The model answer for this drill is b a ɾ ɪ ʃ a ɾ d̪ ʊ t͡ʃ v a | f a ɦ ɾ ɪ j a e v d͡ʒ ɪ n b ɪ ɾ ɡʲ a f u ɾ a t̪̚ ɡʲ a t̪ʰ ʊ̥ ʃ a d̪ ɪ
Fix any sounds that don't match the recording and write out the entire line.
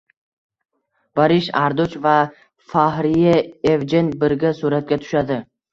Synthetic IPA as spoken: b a ɾ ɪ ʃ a ɾ d̪ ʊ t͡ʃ v a | f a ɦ ɾ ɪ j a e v d͡ʒ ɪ n b ɪ ɾ ɡʲ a s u ɾ a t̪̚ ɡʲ a t̪ʰ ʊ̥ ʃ a d̪ ɪ